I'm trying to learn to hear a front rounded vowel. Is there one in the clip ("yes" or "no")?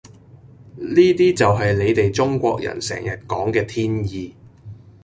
no